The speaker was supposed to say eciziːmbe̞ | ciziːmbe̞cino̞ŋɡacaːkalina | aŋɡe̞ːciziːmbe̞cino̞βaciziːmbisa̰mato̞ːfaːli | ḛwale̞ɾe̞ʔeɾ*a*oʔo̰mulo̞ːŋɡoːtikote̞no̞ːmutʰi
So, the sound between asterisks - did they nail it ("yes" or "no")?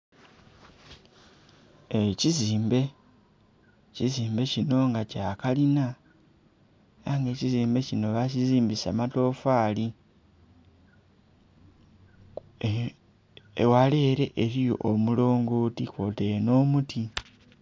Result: no